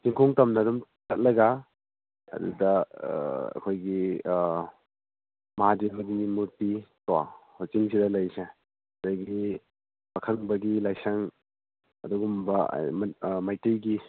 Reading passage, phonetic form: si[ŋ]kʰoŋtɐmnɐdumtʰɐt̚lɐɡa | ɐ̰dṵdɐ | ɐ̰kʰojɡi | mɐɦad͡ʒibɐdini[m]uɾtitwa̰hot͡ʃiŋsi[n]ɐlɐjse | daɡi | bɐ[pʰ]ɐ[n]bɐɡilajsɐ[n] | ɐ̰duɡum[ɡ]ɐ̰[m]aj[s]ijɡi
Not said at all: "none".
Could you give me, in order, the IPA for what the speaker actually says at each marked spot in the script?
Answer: ŋ, m, d, kʰ, ŋ, ŋ, b, m, t

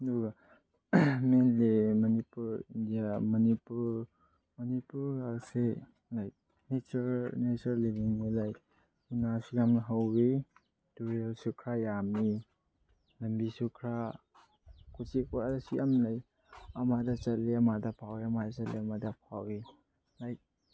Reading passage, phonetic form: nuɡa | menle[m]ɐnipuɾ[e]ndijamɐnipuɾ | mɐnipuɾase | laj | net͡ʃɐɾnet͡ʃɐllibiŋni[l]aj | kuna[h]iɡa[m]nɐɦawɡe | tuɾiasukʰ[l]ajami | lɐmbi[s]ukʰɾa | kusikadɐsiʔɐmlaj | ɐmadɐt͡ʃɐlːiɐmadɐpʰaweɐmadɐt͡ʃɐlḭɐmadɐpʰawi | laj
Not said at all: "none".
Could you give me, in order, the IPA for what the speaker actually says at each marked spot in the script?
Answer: m, i, l, s, m, ɾ, s

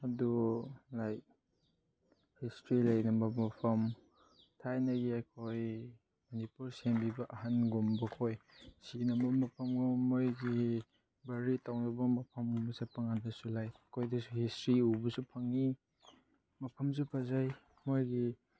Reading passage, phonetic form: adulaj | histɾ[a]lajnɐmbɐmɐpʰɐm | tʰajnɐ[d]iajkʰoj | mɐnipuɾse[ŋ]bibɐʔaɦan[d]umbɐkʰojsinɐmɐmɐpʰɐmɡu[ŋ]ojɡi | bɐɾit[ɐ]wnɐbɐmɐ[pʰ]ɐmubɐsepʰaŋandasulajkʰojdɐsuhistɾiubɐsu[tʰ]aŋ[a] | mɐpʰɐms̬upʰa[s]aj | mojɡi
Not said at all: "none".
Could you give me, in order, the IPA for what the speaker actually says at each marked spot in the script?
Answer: i, ɡ, m, ɡ, m, a, pʰ, pʰ, i, z

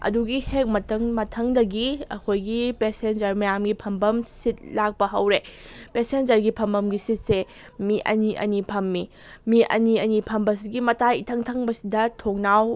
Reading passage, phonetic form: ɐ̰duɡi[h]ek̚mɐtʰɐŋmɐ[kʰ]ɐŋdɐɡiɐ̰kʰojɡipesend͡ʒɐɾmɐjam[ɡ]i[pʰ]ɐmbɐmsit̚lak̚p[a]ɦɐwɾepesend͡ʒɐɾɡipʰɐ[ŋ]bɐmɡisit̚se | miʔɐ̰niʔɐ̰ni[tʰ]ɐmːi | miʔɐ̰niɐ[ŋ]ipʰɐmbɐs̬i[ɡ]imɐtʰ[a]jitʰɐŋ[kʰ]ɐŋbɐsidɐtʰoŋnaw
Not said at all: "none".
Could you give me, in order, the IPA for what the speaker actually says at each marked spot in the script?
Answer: h, tʰ, ɡ, pʰ, ɐ, m, pʰ, n, ɡ, a, tʰ

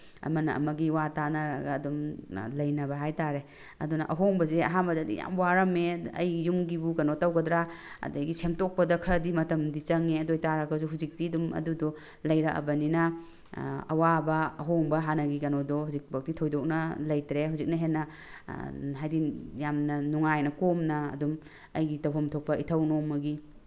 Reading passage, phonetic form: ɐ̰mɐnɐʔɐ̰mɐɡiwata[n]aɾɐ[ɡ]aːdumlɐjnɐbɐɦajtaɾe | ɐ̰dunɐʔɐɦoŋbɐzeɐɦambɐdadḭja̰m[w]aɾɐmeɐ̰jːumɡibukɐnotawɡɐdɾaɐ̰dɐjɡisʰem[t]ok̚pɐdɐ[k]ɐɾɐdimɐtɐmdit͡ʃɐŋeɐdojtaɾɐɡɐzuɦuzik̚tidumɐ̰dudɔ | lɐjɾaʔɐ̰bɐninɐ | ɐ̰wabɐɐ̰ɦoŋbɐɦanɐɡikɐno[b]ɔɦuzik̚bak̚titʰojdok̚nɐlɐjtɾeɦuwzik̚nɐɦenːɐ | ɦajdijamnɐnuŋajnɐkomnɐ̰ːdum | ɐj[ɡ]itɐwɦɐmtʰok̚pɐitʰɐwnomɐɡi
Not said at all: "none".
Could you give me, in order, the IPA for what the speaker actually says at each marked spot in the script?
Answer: n, ɡ, w, t, kʰ, d, ɡ

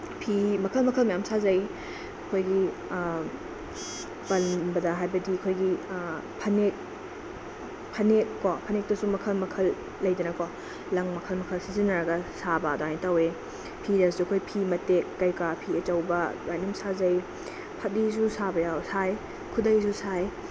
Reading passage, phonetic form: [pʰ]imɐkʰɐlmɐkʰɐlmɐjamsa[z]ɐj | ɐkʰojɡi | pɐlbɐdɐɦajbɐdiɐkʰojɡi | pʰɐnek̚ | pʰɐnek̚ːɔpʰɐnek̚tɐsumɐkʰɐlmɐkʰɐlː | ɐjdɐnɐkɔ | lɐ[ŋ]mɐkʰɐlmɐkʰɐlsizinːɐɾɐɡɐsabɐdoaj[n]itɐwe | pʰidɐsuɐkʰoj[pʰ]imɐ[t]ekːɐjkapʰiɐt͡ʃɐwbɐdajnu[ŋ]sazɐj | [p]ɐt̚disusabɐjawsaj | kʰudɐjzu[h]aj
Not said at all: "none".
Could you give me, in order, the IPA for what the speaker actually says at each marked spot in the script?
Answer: pʰ, z, ŋ, n, pʰ, t, m, pʰ, s

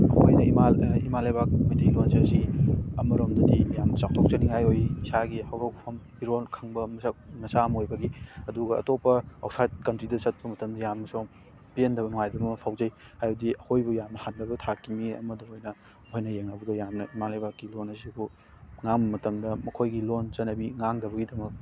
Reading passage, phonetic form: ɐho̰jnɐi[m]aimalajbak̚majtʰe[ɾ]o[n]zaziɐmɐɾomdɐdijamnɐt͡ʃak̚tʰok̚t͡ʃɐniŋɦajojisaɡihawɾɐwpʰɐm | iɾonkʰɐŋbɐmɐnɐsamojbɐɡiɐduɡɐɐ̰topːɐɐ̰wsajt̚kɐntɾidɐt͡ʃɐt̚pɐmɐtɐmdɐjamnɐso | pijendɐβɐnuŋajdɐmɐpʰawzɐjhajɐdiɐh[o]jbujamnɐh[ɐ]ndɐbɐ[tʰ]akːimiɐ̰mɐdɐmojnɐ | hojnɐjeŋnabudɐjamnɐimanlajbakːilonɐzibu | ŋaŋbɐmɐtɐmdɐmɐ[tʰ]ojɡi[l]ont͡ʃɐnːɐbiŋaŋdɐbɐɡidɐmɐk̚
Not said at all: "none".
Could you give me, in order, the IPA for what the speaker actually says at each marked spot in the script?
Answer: m, l, n, o, a, tʰ, kʰ, l

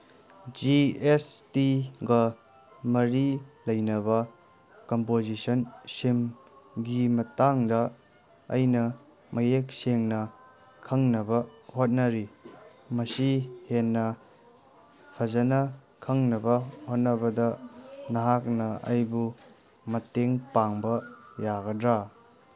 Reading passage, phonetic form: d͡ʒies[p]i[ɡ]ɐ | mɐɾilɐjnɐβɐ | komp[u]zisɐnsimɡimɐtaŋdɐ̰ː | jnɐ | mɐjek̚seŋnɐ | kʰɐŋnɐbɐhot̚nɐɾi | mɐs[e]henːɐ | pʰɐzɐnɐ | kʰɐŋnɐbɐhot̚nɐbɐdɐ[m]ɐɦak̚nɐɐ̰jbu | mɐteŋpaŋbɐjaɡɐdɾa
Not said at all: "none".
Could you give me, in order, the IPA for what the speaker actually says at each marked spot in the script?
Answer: t, ɡ, o, i, n

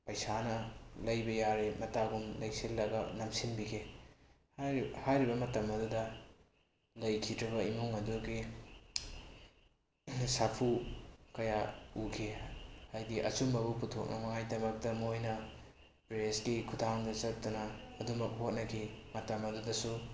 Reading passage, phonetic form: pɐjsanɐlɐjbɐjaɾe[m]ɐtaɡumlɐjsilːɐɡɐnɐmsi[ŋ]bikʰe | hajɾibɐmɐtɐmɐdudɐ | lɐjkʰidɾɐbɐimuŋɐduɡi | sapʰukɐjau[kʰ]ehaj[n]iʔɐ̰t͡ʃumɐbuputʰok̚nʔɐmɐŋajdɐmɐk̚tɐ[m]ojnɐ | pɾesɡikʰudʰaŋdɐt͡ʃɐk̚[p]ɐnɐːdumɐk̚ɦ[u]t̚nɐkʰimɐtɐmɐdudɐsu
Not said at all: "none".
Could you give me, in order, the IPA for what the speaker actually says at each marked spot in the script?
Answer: m, n, kʰ, d, m, t, o

